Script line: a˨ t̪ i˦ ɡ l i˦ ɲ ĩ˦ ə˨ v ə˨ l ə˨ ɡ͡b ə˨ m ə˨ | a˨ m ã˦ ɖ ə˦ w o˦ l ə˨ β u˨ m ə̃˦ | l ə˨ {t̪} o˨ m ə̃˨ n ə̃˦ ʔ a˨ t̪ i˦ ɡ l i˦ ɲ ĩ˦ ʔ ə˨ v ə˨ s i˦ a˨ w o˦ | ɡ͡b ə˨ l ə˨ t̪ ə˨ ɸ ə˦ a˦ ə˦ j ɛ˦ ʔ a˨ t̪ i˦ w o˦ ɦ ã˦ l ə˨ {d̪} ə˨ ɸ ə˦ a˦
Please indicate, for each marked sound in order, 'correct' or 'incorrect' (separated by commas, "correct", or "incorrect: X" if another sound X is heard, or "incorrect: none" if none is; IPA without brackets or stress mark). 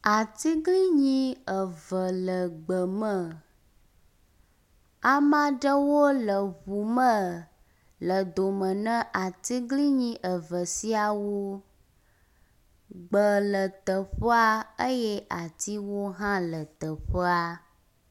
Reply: incorrect: d̪, incorrect: t̪